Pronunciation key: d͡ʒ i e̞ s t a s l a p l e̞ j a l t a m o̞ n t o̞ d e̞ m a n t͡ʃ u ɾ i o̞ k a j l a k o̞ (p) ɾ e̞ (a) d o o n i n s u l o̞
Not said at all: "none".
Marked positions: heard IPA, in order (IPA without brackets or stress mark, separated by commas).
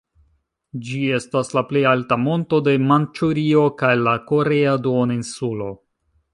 none, a